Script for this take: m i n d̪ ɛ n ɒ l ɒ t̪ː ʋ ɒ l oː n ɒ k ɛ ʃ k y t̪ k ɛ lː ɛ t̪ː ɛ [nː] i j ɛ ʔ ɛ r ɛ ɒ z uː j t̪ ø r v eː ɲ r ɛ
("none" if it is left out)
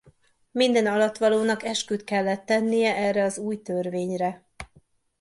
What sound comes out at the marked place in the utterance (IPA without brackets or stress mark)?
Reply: nː